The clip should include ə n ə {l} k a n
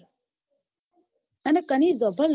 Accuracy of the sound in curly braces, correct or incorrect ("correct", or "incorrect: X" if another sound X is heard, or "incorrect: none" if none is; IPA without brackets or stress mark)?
incorrect: none